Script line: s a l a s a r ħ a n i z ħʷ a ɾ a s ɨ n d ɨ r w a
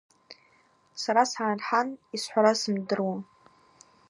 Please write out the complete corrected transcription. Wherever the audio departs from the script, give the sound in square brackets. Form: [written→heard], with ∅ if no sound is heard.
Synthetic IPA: s a [l→ɾ] a s a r ħ a n i [z→s] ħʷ a ɾ a s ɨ [n→m] d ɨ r w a